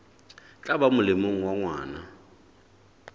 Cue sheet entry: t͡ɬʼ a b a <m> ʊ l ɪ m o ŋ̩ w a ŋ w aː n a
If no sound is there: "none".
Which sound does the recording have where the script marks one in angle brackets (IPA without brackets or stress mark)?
m